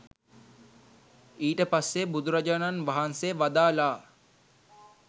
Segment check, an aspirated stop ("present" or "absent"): absent